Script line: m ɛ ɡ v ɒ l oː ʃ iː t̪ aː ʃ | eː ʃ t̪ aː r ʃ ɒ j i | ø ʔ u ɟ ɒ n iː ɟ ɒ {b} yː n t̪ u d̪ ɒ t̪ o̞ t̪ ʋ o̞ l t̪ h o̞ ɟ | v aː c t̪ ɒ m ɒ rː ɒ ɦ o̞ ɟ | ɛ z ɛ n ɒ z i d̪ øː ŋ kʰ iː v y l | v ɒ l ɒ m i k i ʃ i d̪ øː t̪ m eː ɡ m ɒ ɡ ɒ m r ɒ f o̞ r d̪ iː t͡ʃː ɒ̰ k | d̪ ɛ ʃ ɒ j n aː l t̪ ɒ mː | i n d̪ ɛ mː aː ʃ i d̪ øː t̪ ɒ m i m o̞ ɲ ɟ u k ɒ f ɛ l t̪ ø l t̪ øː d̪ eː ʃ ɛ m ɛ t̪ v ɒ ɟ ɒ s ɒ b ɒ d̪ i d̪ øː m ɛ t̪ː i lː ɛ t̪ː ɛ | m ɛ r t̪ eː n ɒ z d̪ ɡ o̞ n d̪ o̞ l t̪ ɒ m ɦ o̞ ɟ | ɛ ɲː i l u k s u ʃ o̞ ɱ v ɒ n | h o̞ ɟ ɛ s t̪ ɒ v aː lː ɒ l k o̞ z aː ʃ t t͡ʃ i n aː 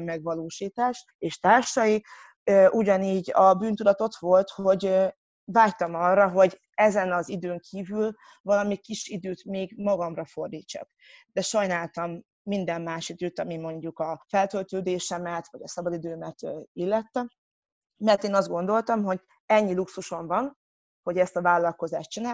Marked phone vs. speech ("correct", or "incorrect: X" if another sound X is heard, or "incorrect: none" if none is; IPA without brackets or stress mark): correct